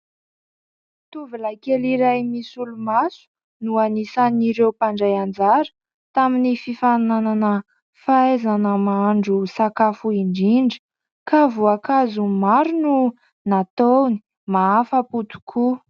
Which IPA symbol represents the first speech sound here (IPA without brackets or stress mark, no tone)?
t̪